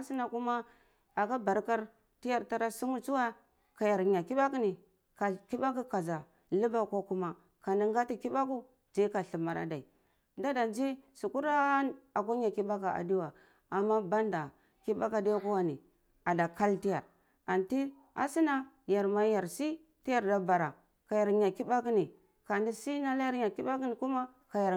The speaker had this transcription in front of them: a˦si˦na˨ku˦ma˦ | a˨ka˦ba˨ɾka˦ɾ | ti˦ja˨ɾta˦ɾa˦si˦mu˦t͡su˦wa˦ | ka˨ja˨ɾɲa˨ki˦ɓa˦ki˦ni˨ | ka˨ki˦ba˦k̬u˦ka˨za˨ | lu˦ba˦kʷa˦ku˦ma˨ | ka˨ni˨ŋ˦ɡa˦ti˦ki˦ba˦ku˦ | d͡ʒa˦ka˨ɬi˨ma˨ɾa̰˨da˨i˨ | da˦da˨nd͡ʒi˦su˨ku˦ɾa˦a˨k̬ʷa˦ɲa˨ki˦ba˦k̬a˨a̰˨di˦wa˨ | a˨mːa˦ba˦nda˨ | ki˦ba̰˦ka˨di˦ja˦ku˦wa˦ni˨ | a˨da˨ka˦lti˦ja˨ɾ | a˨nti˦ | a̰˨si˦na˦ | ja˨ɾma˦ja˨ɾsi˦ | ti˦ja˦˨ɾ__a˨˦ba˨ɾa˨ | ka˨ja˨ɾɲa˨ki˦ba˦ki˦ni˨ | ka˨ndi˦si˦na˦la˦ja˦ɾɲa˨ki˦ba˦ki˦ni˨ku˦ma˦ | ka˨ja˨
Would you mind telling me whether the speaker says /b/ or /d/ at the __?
d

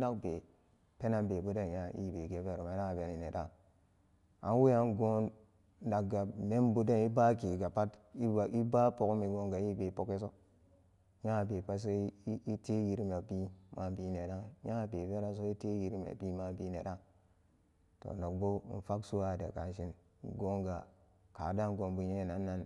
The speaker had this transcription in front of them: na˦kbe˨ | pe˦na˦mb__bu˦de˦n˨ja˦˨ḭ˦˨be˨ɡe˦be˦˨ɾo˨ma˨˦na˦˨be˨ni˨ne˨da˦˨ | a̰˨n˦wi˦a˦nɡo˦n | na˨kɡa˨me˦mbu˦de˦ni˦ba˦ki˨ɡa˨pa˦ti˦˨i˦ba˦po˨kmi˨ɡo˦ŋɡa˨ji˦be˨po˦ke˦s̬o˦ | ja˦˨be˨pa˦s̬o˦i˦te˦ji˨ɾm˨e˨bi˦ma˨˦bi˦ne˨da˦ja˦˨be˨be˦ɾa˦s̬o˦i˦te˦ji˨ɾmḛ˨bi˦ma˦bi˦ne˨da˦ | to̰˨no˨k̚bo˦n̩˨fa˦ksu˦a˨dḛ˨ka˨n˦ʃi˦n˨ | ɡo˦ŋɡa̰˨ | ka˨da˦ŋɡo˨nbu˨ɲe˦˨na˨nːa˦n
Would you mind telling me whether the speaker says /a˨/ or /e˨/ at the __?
e˨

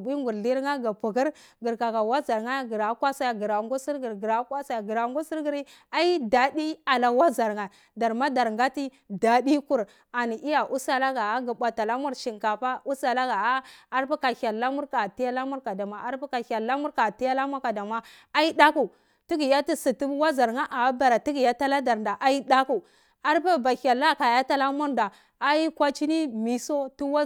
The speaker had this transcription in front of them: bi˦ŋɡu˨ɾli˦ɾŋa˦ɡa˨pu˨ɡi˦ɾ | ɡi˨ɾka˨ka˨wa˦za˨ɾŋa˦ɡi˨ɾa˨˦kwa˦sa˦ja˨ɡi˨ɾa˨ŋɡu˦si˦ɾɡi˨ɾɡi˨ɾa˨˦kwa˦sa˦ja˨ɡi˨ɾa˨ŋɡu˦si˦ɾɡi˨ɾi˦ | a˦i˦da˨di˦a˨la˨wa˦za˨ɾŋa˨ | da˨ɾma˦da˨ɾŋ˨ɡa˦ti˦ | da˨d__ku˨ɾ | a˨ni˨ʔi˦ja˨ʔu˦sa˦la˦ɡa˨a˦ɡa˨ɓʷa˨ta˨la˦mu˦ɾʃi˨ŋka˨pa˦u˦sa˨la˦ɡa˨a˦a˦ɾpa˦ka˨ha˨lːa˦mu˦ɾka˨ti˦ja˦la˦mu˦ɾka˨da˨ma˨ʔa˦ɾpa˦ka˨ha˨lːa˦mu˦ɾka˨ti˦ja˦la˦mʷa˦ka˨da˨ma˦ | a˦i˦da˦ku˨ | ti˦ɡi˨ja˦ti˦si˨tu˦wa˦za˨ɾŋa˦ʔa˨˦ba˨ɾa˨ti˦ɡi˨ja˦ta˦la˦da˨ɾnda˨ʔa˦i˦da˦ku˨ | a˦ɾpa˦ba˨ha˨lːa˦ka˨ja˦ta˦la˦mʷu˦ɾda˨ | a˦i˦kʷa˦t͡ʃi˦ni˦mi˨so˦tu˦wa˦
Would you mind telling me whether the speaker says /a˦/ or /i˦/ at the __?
i˦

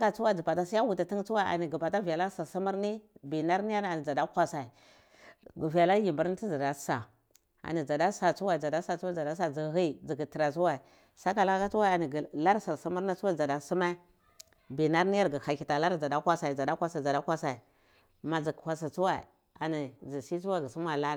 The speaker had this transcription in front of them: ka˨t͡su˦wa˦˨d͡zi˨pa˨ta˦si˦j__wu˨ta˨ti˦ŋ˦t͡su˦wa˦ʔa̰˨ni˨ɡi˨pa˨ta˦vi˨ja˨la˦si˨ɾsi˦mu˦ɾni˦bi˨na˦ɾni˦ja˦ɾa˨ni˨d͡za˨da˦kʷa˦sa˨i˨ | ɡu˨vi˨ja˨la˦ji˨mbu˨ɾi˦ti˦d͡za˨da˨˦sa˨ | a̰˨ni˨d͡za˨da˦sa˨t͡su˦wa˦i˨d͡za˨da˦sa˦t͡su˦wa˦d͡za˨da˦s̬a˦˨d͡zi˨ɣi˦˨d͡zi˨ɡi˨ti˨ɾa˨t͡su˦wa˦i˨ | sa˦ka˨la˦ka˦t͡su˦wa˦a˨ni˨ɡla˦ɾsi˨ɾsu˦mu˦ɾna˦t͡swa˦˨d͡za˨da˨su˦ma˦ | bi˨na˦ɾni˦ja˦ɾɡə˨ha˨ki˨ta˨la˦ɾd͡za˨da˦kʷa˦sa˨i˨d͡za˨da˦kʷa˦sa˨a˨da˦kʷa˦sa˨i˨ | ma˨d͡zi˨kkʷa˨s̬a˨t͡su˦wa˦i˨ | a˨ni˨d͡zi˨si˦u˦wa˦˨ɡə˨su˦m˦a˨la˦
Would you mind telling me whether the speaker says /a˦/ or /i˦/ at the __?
a˦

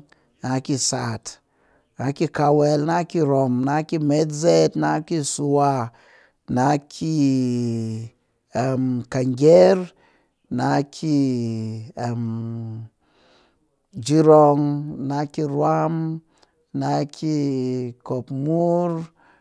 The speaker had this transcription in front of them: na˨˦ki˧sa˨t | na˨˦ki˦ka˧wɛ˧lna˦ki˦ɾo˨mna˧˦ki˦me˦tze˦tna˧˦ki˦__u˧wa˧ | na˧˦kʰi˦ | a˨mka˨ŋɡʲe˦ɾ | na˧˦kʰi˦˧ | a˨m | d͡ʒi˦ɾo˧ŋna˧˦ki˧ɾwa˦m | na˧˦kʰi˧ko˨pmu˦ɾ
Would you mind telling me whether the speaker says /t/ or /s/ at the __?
s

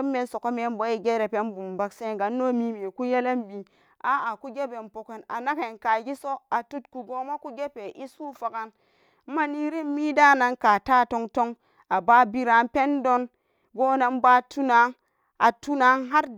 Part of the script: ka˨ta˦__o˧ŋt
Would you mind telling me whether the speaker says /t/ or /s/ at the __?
t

